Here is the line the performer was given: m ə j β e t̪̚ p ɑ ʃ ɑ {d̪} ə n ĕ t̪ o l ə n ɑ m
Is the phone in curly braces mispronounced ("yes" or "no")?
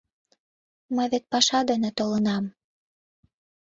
no